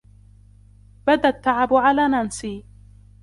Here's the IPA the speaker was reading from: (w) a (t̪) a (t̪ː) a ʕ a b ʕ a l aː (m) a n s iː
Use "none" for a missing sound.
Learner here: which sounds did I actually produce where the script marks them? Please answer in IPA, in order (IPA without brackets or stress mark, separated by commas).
b, d̪, t̪ː, n